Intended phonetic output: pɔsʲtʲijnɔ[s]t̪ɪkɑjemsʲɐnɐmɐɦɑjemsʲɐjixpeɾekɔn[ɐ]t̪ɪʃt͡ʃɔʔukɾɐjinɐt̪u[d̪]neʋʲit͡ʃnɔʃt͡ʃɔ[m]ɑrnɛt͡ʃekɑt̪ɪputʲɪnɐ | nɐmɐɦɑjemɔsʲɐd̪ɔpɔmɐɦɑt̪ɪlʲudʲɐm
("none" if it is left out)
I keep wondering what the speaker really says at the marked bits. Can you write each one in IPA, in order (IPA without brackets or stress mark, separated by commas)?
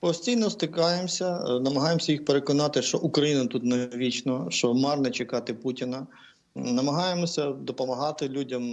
s, ɑ, t̪, m